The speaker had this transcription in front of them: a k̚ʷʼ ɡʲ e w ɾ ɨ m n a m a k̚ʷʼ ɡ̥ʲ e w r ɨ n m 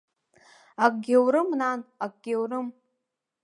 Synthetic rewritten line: a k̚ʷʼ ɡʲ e w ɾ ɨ m n a n a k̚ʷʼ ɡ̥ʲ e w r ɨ m